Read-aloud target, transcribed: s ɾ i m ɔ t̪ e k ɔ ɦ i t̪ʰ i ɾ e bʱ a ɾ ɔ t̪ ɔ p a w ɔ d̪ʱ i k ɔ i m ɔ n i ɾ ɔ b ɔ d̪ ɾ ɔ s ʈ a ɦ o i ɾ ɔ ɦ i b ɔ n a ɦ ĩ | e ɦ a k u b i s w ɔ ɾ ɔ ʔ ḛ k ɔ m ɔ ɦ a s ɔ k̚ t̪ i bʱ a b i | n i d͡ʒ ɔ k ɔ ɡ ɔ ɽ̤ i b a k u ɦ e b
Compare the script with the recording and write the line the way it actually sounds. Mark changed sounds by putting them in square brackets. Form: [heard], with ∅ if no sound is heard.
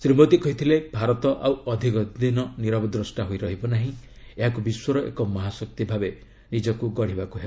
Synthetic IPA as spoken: s ɾ i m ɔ t̪ [i] k ɔ ɦ i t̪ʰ i [l] e bʱ a ɾ ɔ t̪ ɔ [ʔ] a w ɔ d̪ʱ i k ɔ i [n] ɔ n i ɾ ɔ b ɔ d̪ ɾ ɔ s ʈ a ɦ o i ɾ ɔ ɦ i b ɔ n a ɦ ĩ | e ɦ a k u b i s w ɔ ɾ ɔ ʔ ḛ k ɔ m ɔ ɦ a s ɔ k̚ t̪ i bʱ a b [e] | n i d͡ʒ ɔ k [u] ɡ ɔ ɽ̤ i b a k u ɦ e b

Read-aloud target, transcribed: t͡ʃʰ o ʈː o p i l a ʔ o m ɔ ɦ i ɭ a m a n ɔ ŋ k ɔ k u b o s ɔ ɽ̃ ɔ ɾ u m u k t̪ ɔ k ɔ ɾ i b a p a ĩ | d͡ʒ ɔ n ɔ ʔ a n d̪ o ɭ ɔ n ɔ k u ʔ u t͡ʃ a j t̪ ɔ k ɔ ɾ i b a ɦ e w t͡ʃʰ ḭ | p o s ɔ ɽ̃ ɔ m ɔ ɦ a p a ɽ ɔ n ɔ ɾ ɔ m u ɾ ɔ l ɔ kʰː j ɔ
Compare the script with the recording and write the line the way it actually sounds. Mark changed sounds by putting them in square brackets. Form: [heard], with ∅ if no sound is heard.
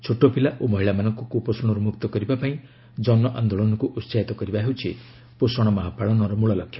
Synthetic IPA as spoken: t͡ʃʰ o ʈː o p i l a ʔ o m ɔ ɦ i ɭ a m a n ɔ ŋ k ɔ k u [p] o s ɔ ɽ̃ ɔ ɾ u m u k t̪ ɔ k ɔ ɾ i b a p a ĩ | d͡ʒ ɔ n ɔ ʔ a n d̪ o ɭ ɔ n ɔ k u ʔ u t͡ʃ a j t̪ ɔ k ɔ ɾ i b a ɦ e w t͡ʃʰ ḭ | p o s ɔ ɽ̃ ɔ m ɔ ɦ a p a [ɭ] ɔ n ɔ ɾ ɔ m u [ɭ] ɔ l ɔ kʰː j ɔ

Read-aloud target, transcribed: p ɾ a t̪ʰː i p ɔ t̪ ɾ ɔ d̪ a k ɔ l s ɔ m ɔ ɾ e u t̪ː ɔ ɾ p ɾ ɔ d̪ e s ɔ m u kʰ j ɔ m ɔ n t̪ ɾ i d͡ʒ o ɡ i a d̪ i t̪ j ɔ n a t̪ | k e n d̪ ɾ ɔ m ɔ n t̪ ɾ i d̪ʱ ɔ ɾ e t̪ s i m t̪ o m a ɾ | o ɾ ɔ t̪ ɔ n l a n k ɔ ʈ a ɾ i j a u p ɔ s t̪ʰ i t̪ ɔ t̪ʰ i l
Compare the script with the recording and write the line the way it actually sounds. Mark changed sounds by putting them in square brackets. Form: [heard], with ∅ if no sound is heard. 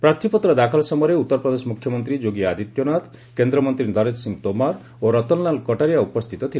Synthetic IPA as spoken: p ɾ a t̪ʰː i p ɔ t̪ ɾ ɔ d̪ a [kʰ] ɔ l s ɔ m ɔ ɾ e u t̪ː ɔ ɾ p ɾ ɔ d̪ e s ɔ m u kʰ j ɔ m ɔ n t̪ ɾ i d͡ʒ o ɡ i a d̪ i t̪ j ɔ n a t̪ | k e n d̪ ɾ ɔ m ɔ n t̪ ɾ i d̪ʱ ɔ ɾ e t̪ s i [ŋ] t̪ o m a ɾ | o ɾ ɔ t̪ ɔ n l a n k ɔ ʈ a ɾ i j a u p ɔ s t̪ʰ i t̪ ɔ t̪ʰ i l

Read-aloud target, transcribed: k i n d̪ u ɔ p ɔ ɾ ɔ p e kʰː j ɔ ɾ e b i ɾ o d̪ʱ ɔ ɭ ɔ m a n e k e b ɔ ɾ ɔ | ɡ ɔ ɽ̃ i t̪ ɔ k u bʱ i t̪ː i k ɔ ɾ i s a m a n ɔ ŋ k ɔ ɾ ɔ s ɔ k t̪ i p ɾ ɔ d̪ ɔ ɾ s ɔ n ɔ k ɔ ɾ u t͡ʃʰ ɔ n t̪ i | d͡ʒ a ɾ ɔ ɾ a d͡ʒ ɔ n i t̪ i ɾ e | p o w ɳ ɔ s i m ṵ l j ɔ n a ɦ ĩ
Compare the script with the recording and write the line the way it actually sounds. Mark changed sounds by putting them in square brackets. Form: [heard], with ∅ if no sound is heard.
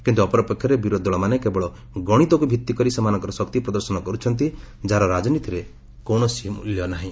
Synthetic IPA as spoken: k i n [t̪] u ɔ p ɔ ɾ ɔ p e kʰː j ɔ ɾ e b i ɾ o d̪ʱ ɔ ɭ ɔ m a n e k e b ɔ [ɭ] ɔ | ɡ ɔ ɽ̃ i t̪ ɔ k u bʱ i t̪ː i k ɔ ɾ i s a m a n ɔ ŋ k ɔ ɾ ɔ s ɔ k t̪ i p ɾ ɔ d̪ ɔ ɾ s ɔ n ɔ k ɔ ɾ u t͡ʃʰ ɔ n t̪ i | d͡ʒ a ɾ ɔ ɾ a d͡ʒ ɔ n i t̪ i ɾ e | [k] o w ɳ ɔ s i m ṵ l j ɔ n a ɦ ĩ

